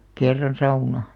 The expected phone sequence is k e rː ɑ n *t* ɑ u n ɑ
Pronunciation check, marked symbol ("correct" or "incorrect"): incorrect